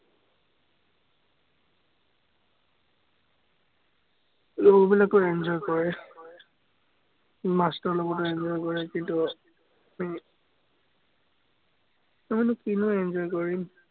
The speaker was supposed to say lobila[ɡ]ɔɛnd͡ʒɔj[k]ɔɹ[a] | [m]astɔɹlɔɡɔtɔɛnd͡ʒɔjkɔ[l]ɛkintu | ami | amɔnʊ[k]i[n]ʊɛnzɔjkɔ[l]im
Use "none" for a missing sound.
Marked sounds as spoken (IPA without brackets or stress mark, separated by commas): k, k, ɛ, m, ɹ, k, n, ɹ